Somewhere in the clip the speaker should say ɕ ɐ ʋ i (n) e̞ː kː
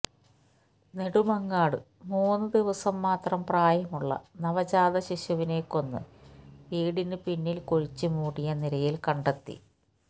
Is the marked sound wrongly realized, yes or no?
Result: no